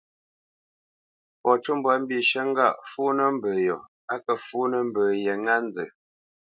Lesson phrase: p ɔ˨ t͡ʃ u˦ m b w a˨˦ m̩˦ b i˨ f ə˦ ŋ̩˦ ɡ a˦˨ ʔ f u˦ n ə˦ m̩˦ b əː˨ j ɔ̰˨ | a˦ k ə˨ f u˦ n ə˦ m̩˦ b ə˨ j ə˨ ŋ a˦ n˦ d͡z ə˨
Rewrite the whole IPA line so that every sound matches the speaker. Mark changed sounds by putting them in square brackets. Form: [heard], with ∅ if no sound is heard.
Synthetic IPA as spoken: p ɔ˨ t͡ʃ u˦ m b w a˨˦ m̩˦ b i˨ [ʃ] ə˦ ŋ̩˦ ɡ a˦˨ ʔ f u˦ n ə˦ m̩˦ b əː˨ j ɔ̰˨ | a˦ k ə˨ f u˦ n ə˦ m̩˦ b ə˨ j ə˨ ŋ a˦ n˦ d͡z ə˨